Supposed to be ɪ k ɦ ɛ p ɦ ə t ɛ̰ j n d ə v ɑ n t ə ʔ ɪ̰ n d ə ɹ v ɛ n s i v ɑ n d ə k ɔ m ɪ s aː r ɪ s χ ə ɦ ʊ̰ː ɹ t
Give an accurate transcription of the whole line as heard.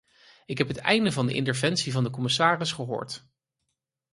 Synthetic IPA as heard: ɪ k ɦ ɛ p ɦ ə t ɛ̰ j n d ə v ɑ n d ə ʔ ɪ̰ n t ə ɹ v ɛ n s i v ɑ n d ə k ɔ m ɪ s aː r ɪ s χ ə ɦ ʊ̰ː ɹ t